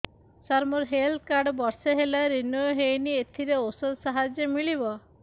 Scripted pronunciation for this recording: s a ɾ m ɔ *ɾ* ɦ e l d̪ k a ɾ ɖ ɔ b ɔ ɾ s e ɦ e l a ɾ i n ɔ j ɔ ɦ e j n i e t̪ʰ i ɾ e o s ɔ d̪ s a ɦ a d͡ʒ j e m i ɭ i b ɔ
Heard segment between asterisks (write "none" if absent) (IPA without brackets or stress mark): ɾ